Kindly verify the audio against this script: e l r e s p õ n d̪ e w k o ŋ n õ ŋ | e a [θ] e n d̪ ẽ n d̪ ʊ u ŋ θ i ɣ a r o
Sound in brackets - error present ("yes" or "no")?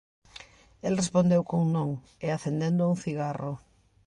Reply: no